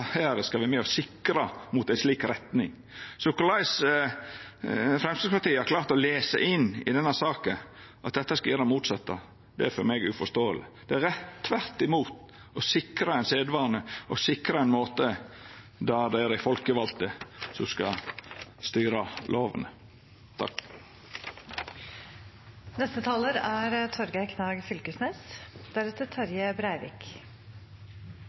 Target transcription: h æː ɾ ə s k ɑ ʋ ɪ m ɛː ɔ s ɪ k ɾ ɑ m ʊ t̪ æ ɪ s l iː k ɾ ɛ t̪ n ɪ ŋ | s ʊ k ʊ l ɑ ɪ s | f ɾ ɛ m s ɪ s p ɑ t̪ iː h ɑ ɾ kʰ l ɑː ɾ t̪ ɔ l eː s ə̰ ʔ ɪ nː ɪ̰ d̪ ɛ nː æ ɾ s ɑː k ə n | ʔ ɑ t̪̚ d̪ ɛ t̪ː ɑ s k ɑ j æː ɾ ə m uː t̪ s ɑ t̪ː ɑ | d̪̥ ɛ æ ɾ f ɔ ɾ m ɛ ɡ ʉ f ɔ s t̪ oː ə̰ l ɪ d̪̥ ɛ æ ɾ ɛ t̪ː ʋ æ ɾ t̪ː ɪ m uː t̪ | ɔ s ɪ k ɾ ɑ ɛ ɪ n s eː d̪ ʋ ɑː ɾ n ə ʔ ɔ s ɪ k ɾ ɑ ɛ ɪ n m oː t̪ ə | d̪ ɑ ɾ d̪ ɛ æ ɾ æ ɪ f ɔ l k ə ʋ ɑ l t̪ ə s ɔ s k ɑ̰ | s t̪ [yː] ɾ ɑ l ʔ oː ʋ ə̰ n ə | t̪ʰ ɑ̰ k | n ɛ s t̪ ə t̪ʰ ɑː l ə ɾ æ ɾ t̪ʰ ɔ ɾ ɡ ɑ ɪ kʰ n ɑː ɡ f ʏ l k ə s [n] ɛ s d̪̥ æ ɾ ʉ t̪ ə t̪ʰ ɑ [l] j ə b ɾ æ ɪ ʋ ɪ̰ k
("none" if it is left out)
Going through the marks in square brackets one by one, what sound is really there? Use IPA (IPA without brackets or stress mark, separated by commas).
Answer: yː, n, ɾ